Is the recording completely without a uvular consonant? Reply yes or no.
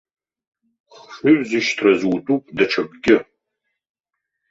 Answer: no